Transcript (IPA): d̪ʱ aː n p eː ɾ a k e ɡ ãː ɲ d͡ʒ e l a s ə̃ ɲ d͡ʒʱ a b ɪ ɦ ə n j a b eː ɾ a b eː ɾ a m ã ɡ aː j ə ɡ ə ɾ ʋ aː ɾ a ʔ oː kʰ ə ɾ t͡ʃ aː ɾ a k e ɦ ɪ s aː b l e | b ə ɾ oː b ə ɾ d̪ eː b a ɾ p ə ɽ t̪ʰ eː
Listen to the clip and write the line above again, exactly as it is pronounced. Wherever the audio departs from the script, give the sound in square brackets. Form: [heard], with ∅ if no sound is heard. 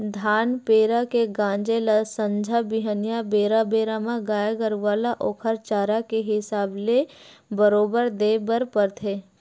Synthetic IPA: d̪ʱ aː n p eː ɾ a k e ɡ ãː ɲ d͡ʒ e l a s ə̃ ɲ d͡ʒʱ a b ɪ ɦ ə n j a b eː ɾ a b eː ɾ a m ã ɡ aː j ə ɡ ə ɾ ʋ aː [l] a ʔ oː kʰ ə ɾ t͡ʃ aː ɾ a k e ɦ ɪ s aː b l e | b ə ɾ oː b ə ɾ d̪ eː b [ə] ɾ p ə [ɾ] t̪ʰ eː